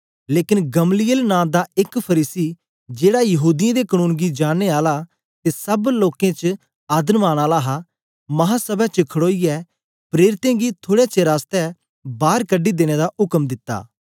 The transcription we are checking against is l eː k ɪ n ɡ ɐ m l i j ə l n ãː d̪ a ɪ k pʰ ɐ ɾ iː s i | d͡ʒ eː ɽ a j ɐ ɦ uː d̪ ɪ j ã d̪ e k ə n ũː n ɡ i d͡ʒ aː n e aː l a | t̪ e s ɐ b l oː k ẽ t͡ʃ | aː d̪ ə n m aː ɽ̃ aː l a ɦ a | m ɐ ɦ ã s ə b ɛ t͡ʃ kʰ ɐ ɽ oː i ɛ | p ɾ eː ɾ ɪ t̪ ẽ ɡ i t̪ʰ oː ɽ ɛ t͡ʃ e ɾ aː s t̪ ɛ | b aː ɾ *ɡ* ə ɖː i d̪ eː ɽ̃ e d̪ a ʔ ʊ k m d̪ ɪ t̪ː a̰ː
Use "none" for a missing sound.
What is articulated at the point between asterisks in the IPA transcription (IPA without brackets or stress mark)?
k